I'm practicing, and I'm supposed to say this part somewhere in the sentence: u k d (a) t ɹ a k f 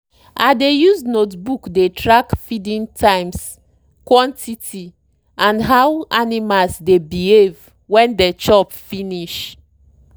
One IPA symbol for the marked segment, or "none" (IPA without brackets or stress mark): e